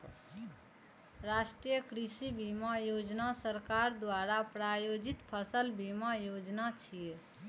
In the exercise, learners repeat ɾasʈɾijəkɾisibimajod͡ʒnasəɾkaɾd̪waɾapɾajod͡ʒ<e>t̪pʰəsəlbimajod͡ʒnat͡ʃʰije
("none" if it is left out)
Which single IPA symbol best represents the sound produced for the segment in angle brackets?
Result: i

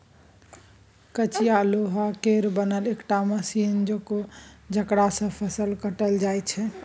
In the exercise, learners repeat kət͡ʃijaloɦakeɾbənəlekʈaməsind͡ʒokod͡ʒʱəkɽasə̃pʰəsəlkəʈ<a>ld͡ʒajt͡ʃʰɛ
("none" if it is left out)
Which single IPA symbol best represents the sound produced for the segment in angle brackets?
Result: ə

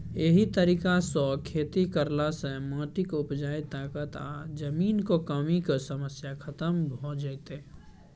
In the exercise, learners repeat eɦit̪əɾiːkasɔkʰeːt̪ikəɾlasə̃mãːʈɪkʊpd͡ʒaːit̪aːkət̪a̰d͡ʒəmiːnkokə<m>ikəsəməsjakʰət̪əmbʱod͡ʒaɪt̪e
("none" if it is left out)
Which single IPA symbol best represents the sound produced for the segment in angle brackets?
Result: m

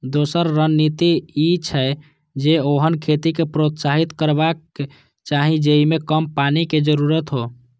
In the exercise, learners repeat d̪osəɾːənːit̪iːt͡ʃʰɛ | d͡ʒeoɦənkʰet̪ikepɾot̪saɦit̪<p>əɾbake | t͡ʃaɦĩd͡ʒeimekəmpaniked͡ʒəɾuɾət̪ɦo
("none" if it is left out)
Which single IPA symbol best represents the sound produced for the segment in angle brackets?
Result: k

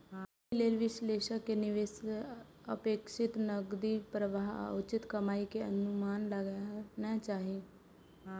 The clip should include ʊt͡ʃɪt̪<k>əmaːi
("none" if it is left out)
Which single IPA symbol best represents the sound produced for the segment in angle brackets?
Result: k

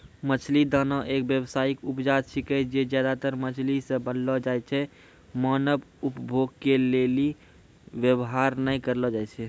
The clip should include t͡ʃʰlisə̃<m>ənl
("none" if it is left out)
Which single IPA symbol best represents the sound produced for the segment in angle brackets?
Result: b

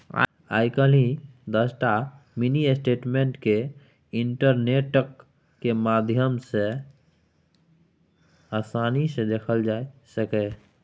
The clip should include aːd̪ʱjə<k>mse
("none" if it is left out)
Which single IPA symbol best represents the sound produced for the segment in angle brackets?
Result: none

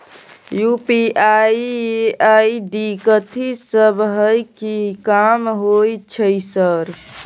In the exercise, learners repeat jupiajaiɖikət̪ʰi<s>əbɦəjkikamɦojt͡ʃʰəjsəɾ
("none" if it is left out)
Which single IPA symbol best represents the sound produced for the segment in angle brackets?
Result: s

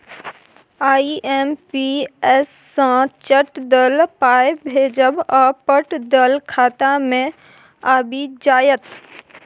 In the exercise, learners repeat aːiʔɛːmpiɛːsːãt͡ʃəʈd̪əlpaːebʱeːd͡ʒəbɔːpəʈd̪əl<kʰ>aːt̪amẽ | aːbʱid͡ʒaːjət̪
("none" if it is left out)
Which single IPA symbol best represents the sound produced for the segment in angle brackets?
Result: kʰ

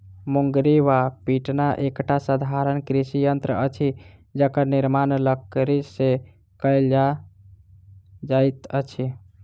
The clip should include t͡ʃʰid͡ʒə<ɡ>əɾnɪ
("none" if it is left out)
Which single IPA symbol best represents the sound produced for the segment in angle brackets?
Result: k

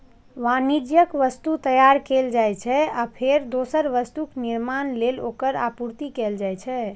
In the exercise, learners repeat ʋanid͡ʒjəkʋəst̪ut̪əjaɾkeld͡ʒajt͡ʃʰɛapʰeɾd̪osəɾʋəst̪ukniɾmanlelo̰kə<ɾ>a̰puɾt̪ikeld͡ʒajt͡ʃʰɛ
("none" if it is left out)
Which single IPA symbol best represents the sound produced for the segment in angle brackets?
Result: ɾ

